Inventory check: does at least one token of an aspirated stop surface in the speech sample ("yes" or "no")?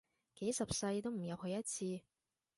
yes